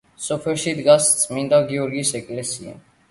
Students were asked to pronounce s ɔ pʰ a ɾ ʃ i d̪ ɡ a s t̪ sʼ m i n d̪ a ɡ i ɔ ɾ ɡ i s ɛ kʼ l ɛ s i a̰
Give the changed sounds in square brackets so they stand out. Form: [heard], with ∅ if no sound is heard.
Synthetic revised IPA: s ɔ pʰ [ɛ] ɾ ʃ i d̪ ɡ a s t̪ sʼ m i n d̪ a ɡ i ɔ ɾ ɡ i s ɛ kʼ l ɛ s i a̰

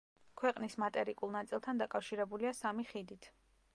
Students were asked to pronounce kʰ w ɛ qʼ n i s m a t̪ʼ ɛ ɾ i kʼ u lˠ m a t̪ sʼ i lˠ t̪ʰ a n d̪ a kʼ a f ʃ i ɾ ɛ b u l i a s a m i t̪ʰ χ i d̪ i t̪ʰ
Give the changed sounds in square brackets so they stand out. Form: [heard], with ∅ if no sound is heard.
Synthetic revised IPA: kʰ w ɛ qʼ n i s m a t̪ʼ ɛ ɾ i kʼ u lˠ [n] a t̪ sʼ i lˠ t̪ʰ a n d̪ a kʼ a f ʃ i ɾ ɛ b u l i a s a m i [∅] χ i d̪ i t̪ʰ

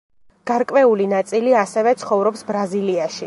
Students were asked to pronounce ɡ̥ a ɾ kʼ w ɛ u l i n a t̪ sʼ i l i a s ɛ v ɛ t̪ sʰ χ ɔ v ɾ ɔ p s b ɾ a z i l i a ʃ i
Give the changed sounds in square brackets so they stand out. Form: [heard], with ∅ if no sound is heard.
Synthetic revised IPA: ɡ̥ a ɾ kʼ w ɛ u l i n a t̪ sʼ i l i a s ɛ v ɛ t̪ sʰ χ ɔ v ɾ ɔ p s b ɾ a z i l i a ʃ i

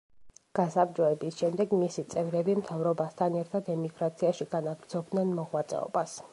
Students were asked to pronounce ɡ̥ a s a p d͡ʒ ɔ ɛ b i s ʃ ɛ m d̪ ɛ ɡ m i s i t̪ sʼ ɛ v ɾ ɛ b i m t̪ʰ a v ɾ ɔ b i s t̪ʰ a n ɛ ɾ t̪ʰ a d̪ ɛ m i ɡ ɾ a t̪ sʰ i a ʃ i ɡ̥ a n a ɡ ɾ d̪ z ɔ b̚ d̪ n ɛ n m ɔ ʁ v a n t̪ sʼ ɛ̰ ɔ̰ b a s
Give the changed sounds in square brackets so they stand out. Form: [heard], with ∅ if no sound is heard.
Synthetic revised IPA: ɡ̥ a s a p d͡ʒ ɔ ɛ b i s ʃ ɛ m d̪ ɛ ɡ m i s i t̪ sʼ ɛ v ɾ ɛ b i m t̪ʰ a v ɾ ɔ b [a] s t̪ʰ a n ɛ ɾ t̪ʰ a d̪ ɛ m i ɡ ɾ a t̪ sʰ i a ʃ i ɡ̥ a n a ɡ ɾ d̪ z ɔ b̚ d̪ n ɛ n m ɔ ʁ [w] a [∅] t̪ sʼ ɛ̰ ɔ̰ b a s

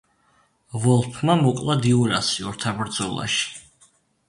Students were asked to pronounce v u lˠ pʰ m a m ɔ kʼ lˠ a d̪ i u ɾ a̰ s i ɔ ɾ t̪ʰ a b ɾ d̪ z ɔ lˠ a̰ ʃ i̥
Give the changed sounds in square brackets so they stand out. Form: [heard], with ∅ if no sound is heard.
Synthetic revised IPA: v [ɔ] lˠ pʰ m a m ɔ kʼ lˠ a d̪ i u ɾ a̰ s i ɔ ɾ t̪ʰ a b ɾ d̪ z ɔ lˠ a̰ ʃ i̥

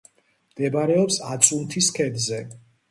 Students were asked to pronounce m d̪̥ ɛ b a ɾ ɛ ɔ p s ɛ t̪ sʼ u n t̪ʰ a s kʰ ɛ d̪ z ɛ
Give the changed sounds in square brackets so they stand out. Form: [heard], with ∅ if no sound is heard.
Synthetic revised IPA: m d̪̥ ɛ b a ɾ ɛ ɔ p s [a] t̪ sʼ u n t̪ʰ [i] s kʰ ɛ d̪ z ɛ

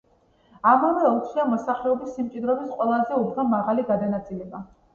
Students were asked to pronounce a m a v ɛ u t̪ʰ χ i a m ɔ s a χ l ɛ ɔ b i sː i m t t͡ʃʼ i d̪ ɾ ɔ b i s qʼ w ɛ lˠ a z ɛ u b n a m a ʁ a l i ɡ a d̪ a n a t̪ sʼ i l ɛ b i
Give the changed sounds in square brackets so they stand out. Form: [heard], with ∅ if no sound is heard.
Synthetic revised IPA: a m a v ɛ u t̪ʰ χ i a m ɔ s a χ l ɛ ɔ b i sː i m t t͡ʃʼ i d̪ ɾ ɔ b i s qʼ w ɛ lˠ a z ɛ u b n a m a ʁ a l i ɡ a d̪ a n a t̪ sʼ i l ɛ b [a]

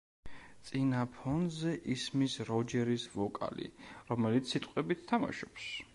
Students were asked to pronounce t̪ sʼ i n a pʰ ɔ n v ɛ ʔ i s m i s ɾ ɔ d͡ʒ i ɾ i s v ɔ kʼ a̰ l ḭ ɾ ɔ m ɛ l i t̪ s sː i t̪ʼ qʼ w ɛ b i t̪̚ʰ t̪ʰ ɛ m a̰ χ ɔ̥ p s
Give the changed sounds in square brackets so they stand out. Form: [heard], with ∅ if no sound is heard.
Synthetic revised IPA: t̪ sʼ i n a pʰ ɔ n [z] ɛ ʔ i s m i s ɾ ɔ d͡ʒ [ɛ] ɾ i s v ɔ kʼ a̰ l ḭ ɾ ɔ m ɛ l i t̪ s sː i t̪ʼ qʼ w ɛ b i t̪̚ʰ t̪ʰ [a] m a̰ [ʃ] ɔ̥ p s

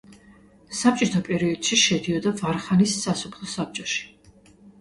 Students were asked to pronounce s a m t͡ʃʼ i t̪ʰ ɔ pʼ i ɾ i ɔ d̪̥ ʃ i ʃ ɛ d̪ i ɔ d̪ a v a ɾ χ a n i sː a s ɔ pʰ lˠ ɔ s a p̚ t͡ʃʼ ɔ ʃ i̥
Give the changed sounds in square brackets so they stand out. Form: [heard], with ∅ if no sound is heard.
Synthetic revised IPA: s a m t͡ʃʼ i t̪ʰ ɔ pʼ [ɛ] ɾ i ɔ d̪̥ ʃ i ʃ ɛ d̪ i ɔ d̪ a v a ɾ χ a n i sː a s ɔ pʰ lˠ ɔ s a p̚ t͡ʃʼ ɔ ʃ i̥

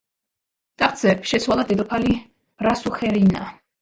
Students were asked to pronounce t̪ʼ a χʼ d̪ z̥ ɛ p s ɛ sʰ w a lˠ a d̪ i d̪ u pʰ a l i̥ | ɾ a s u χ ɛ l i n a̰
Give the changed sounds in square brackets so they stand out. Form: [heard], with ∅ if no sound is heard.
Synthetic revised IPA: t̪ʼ a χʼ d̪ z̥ ɛ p [ʃ] ɛ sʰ w a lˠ a d̪ [ɛ] d̪ [ɔ] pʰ a l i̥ | ɾ a s u χ ɛ [ɾ] i n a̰

